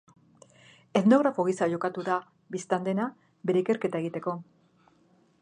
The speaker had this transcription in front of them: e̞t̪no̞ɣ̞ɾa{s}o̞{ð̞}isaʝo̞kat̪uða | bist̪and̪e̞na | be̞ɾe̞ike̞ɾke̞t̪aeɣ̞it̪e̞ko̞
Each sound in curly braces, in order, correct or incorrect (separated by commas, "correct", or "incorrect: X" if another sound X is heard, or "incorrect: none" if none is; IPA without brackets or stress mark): incorrect: f, incorrect: ɣ̞